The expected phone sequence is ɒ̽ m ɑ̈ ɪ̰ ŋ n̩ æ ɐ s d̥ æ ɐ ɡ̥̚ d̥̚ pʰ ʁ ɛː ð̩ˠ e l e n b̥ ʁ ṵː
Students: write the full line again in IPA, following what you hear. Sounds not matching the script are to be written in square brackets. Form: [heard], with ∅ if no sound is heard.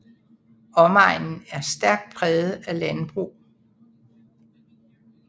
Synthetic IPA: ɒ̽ m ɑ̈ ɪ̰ [n] n̩ æ ɐ s d̥ æ ɐ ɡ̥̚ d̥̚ pʰ ʁ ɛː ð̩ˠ [æ] l [æ] n b̥ ʁ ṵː

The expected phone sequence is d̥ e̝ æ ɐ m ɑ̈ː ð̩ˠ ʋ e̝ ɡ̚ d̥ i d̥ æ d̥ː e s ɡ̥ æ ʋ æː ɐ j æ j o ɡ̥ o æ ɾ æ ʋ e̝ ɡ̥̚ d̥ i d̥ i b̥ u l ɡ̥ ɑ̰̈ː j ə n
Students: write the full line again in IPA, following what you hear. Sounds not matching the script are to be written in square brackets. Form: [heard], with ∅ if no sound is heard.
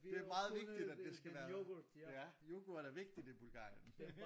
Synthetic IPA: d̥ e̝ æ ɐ m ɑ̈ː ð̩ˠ ʋ e̝ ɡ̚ d̥ i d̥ æ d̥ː e s ɡ̥ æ ʋ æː ɐ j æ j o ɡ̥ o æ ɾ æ ʋ e̝ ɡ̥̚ d̥ i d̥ i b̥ u l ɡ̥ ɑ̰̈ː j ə n

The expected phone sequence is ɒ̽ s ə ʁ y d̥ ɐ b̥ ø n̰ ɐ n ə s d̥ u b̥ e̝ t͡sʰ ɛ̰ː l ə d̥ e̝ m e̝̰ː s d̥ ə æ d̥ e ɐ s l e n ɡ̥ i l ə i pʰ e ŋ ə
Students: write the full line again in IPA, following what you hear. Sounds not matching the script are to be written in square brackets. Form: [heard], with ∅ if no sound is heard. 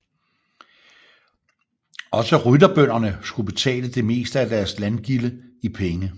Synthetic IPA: ɒ̽ s ə ʁ y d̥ ɐ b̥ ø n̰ ɐ n ə s [ɡ̥] u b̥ e̝ t͡sʰ ɛ̰ː l ə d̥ e̝ m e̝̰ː s d̥ ə æ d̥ [æ] ɐ s l [æ] n ɡ̥ i l ə i pʰ e ŋ ə

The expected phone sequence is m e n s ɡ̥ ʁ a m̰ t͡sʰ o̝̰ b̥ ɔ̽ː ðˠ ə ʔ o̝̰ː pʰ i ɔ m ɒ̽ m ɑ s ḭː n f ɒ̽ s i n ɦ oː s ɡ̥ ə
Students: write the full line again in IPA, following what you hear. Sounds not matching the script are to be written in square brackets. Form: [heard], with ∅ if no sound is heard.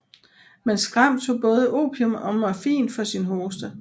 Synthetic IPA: m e n s ɡ̥ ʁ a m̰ t͡sʰ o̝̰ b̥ ɔ̽ː ðˠ ə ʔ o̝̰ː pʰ i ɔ m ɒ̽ m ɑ [f] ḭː n f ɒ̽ s i n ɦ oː s [d̥] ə

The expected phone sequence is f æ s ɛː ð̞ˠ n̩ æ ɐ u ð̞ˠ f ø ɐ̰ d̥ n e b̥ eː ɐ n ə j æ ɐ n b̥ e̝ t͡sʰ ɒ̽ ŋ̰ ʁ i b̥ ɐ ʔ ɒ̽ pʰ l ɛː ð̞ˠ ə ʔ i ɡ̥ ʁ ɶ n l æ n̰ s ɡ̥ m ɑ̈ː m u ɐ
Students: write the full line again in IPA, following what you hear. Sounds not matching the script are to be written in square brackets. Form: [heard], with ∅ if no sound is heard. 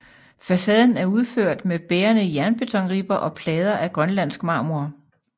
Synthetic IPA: f æ s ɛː ð̞ˠ n̩ æ ɐ u ð̞ˠ f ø ɐ̰ d̥ [m] e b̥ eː ɐ n ə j æ ɐ n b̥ e̝ t͡sʰ ɒ̽ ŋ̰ ʁ i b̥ ɐ ʔ ɒ̽ pʰ l ɛː ð̞ˠ [ɐ] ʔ [æ] ɡ̥ ʁ ɶ n l æ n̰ s ɡ̥ m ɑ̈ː m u ɐ

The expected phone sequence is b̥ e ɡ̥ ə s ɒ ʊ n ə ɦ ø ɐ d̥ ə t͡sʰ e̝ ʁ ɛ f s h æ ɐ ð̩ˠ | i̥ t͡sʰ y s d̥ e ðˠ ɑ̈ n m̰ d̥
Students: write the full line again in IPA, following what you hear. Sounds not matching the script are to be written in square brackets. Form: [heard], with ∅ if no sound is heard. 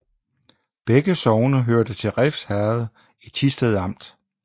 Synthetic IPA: b̥ e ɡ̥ ə s ɒ ʊ n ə ɦ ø ɐ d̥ ə t͡sʰ e̝ ʁ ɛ f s h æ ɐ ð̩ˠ | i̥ t͡sʰ [i] s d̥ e ðˠ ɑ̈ [∅] m̰ d̥

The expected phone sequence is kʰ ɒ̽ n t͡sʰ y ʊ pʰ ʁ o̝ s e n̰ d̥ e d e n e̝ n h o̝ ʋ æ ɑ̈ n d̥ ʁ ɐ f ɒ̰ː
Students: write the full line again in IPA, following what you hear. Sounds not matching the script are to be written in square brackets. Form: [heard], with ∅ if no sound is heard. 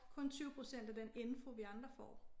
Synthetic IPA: kʰ [ɔ̽] n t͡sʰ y ʊ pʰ ʁ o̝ s e n̰ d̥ [æ] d e n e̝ n [f] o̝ ʋ [i] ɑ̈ n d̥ ʁ ɐ f ɒ̰ː

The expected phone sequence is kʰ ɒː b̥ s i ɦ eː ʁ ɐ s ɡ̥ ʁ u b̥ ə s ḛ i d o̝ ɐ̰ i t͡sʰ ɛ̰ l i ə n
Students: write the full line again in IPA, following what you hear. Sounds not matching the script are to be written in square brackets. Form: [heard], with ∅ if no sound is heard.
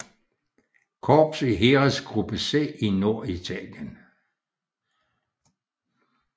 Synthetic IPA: kʰ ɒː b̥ s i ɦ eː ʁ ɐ s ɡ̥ ʁ u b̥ ə s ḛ i [n] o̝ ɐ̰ i t͡sʰ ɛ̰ l [j] ə n

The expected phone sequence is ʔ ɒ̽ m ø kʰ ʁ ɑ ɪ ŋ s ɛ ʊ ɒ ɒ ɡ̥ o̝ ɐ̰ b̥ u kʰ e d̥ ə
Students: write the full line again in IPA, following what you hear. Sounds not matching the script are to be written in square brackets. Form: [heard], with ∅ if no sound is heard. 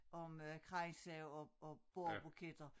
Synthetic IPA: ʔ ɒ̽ m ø kʰ ʁ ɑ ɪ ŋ s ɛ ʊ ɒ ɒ [b̥] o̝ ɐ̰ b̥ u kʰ e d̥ [ɐ]

